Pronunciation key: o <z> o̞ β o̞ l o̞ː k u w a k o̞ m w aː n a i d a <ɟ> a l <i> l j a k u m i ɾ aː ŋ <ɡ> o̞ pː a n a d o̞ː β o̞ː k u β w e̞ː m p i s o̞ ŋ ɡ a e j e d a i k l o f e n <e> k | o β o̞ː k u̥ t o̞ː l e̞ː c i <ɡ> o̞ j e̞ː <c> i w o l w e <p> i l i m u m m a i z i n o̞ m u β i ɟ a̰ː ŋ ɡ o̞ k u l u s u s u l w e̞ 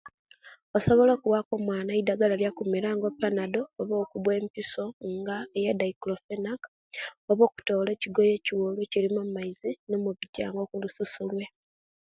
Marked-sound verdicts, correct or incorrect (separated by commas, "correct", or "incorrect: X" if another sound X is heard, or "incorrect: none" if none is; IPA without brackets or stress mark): incorrect: s, incorrect: ɡ, incorrect: a, correct, incorrect: a, correct, correct, incorrect: c